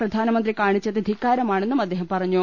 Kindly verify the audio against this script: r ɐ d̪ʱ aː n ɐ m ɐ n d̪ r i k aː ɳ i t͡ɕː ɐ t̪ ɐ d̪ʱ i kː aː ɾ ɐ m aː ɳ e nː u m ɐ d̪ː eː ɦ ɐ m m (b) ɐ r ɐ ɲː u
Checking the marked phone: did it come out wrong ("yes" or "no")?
yes